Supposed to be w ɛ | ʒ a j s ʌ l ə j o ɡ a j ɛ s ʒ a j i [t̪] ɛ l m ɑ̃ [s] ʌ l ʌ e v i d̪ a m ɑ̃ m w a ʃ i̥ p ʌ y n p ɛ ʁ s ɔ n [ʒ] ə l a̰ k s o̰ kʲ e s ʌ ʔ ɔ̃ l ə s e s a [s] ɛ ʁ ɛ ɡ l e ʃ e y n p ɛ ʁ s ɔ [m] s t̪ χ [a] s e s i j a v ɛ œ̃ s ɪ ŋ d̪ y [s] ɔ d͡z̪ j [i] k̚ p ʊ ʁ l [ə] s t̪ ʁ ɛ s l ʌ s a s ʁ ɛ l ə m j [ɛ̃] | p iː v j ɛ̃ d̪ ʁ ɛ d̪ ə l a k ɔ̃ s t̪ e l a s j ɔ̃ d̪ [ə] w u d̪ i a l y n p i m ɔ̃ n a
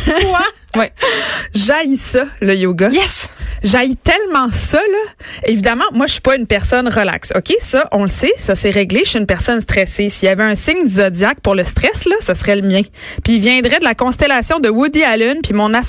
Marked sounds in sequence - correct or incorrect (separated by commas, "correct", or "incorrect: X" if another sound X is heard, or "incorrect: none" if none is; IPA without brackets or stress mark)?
correct, correct, incorrect: ʁ, correct, incorrect: n, incorrect: ɛ, incorrect: z, incorrect: a, correct, correct, correct